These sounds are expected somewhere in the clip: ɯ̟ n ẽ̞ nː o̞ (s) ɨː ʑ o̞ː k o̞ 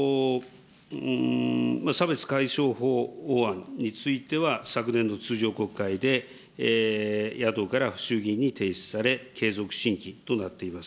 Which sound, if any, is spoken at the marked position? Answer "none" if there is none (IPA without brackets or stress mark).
t͡s